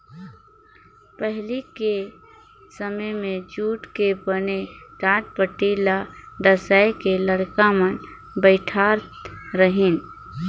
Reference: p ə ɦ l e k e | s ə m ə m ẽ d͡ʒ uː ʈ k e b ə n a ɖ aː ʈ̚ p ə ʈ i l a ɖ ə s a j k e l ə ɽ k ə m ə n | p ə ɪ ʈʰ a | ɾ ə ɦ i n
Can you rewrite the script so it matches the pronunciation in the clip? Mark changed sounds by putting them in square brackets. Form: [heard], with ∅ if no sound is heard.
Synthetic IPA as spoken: p ə ɦ l [i] k e | s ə m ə m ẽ d͡ʒ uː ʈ k e b ə n [e] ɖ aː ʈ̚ p ə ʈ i l a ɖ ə s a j k e l ə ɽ k [a] m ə n | [b] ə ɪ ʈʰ a | ɾ ə ɦ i n